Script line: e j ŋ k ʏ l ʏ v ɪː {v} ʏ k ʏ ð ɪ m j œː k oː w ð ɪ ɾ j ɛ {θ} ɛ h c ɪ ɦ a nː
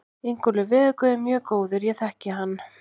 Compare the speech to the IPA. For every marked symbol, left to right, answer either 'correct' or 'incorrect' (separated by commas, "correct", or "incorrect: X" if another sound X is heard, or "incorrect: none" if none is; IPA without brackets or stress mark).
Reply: incorrect: ð, correct